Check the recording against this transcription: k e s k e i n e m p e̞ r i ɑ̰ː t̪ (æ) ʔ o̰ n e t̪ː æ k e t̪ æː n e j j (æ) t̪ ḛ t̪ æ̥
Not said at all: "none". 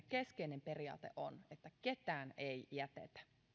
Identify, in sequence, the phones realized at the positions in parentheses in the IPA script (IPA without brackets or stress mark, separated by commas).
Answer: e, æ